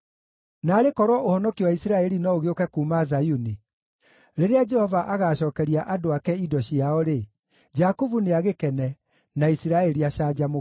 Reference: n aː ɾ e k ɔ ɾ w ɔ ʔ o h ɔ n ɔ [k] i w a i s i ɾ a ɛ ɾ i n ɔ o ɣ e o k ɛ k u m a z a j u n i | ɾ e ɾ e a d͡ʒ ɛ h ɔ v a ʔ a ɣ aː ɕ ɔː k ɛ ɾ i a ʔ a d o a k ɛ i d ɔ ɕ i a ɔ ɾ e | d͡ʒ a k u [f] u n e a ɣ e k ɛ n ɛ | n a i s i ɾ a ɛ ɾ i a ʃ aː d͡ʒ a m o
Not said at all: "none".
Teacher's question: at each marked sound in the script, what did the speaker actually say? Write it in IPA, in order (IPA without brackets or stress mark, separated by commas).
k, v